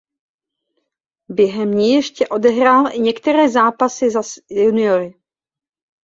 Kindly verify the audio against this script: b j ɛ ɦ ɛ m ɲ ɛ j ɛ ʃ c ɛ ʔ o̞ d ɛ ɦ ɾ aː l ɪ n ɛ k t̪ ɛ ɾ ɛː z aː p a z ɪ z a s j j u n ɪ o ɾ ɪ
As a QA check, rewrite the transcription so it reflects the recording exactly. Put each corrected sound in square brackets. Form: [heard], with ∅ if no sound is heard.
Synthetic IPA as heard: b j ɛ ɦ ɛ m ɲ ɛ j ɛ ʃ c ɛ ʔ o̞ d ɛ ɦ ɾ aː l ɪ [ɲ] ɛ k t̪ ɛ ɾ ɛː z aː p a [s] ɪ z a s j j u n ɪ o ɾ ɪ